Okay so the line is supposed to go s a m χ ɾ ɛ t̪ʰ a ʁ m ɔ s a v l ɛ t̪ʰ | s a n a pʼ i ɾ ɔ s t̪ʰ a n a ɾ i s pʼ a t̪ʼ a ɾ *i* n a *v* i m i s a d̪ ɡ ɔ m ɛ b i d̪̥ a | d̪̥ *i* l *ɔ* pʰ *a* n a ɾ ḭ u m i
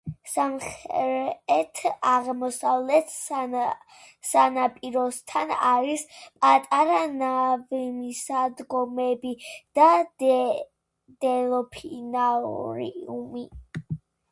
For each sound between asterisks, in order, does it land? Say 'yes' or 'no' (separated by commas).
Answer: no, yes, no, yes, no